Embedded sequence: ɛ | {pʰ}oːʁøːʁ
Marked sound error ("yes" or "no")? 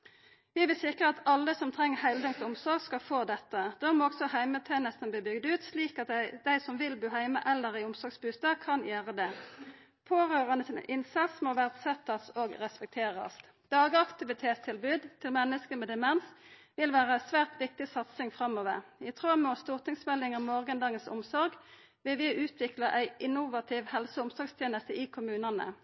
no